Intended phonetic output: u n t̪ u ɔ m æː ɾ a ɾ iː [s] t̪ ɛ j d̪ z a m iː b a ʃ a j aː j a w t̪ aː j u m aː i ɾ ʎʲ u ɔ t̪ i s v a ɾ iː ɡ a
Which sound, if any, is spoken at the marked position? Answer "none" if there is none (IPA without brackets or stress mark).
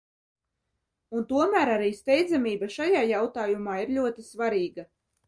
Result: s